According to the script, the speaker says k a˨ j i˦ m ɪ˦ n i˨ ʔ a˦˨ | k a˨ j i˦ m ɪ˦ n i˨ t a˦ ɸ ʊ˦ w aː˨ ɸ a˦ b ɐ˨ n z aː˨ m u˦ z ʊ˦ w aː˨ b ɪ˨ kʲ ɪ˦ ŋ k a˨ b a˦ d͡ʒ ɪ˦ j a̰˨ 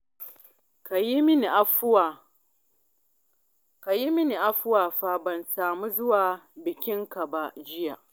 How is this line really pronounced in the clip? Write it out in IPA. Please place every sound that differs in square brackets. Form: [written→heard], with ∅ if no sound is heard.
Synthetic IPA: k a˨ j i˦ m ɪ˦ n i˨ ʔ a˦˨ | k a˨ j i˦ m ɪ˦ n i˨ [t→ʔ] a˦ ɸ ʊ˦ w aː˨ ɸ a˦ b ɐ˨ n [z→s] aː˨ m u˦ z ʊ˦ w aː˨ b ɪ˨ kʲ ɪ˦ ŋ k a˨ b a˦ d͡ʒ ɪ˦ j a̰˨